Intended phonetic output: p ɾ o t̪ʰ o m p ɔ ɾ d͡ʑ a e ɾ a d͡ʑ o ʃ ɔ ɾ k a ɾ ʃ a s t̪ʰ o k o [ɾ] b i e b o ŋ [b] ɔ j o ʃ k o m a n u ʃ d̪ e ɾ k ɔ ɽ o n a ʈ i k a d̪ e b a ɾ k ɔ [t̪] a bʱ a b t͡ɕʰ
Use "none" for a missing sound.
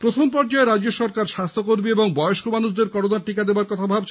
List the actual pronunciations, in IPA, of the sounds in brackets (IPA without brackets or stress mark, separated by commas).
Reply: ɾ, b, t̪ʰ